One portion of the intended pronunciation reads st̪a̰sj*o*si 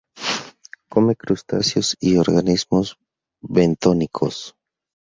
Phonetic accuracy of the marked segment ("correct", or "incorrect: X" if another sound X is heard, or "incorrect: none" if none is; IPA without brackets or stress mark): correct